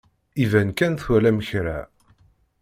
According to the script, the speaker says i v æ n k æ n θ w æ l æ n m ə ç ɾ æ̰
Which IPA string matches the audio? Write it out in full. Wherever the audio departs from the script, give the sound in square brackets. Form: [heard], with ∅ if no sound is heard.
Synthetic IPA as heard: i v æ n k æ n θ w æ l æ [∅] m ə ç ɾ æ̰